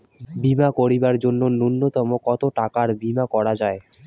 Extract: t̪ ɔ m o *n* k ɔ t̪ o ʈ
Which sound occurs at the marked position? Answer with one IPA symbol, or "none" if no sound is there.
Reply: none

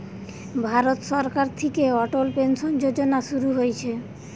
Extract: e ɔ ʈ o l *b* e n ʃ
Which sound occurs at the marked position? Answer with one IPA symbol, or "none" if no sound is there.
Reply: p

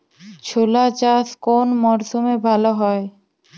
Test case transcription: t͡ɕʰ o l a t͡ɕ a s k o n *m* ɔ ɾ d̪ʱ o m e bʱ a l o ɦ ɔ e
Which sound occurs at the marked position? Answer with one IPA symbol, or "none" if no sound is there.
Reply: m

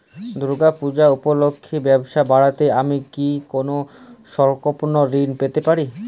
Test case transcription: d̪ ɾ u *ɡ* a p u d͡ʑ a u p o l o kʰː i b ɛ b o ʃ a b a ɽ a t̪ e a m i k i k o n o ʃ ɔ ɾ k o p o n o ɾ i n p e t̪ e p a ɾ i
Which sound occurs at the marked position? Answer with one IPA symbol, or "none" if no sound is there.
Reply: ɡ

